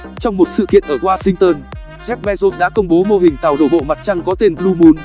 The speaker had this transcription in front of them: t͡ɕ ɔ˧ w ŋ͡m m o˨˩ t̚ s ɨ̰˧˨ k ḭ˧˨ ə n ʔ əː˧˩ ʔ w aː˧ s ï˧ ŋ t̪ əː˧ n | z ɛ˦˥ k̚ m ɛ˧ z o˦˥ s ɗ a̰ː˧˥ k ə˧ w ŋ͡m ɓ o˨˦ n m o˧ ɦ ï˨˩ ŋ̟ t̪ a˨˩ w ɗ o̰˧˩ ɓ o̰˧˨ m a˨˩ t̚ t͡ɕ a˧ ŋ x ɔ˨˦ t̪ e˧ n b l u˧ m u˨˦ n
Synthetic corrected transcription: t͡ɕ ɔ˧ w ŋ͡m m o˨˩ t̚ s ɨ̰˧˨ k ḭ˧˨ ə n ʔ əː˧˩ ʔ w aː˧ s ï˧ ŋ t̪ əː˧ n | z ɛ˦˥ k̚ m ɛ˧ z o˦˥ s ɗ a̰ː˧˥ k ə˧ w ŋ͡m ɓ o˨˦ m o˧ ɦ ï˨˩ ŋ̟ t̪ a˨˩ w ɗ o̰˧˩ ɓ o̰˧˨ m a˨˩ t̚ t͡ɕ a˧ ŋ k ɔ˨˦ t̪ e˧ n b l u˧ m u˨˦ n